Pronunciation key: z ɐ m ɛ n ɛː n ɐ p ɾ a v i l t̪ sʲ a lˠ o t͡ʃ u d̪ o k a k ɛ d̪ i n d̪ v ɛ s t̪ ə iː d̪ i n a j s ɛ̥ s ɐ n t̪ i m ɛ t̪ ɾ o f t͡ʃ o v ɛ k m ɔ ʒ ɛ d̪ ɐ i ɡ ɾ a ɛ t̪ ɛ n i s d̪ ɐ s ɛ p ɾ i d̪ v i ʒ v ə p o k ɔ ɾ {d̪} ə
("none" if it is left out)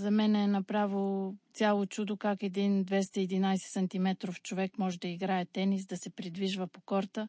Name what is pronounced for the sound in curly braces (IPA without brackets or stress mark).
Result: t̪